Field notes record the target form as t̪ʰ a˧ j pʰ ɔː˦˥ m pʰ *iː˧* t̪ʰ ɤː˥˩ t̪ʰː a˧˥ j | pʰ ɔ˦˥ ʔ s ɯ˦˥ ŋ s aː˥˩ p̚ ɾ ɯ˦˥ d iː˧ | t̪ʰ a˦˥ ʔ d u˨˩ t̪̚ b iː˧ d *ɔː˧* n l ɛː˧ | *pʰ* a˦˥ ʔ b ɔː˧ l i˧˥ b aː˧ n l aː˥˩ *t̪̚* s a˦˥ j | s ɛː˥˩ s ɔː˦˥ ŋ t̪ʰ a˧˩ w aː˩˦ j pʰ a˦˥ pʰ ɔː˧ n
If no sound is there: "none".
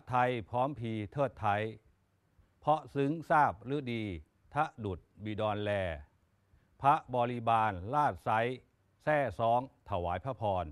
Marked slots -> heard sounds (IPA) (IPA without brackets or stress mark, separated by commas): iː˧, ɔː˧, pʰ, t̪̚